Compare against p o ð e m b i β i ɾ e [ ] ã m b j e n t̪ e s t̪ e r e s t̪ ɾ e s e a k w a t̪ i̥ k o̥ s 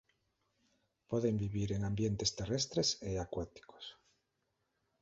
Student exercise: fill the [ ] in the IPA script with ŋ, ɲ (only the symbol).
ŋ